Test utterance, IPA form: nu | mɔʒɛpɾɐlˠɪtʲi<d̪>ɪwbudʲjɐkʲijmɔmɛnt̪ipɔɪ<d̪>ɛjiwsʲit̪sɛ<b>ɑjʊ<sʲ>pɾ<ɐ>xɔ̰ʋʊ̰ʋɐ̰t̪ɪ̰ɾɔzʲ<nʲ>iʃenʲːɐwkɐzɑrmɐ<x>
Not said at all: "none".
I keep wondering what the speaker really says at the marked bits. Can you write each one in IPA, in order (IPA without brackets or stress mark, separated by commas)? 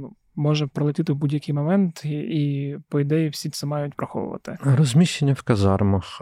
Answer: t̪, d̪, m, tʲ, ɐ, mʲ, x